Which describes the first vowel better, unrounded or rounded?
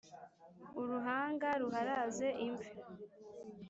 rounded